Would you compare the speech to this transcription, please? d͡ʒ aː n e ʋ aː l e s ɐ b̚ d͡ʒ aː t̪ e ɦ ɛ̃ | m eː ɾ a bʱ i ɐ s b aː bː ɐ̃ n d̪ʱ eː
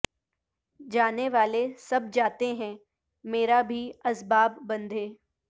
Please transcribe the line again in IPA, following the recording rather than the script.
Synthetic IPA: d͡ʒ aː n e ʋ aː l e s ɐ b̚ d͡ʒ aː t̪ e ɦ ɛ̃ | m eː ɾ a bʱ i ɐ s b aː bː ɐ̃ n d̪ʱ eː